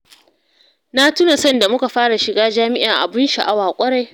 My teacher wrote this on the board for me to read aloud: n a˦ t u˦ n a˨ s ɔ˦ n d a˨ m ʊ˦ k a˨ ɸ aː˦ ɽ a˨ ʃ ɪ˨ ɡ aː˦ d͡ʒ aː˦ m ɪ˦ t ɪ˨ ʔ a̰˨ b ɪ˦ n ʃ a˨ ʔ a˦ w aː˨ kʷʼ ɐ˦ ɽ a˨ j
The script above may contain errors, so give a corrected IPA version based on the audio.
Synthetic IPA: n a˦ t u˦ n a˨ s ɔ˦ n d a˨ m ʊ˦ k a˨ ɸ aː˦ ɽ a˨ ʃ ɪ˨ ɡ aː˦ d͡ʒ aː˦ m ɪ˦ ʔ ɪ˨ ʔ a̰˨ b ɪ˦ n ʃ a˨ ʔ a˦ w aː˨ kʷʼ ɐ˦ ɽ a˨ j